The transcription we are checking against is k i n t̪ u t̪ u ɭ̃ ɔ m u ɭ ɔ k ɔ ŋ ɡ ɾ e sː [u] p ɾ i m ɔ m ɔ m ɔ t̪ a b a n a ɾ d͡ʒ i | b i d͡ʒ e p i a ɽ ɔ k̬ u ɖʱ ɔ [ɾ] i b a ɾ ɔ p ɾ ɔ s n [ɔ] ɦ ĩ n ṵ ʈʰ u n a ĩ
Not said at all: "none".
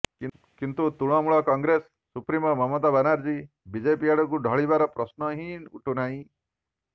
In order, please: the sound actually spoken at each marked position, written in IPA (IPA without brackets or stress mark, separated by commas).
u, ɭ, ɔ